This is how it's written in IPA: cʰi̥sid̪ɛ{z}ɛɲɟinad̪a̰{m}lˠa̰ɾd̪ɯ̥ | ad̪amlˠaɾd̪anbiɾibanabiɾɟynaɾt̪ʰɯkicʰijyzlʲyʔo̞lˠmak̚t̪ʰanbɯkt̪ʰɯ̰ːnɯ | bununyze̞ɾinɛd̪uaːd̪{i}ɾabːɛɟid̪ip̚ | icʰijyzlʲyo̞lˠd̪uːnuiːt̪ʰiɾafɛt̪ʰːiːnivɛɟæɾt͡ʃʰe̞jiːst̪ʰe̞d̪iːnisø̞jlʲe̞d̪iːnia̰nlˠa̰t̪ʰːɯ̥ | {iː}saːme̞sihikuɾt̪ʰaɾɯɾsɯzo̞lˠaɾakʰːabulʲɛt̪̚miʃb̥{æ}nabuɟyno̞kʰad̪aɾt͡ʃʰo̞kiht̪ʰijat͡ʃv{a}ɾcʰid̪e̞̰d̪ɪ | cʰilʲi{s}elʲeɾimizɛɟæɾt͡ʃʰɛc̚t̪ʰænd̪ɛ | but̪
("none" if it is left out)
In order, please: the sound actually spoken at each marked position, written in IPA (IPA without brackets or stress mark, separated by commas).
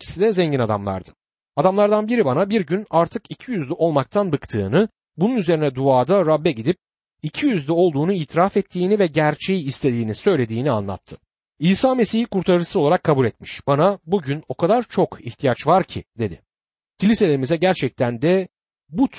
z, m, a, iː, a, a, s